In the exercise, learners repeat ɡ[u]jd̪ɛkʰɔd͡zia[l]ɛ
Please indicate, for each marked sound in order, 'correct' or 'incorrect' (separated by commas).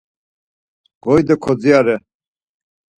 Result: incorrect, incorrect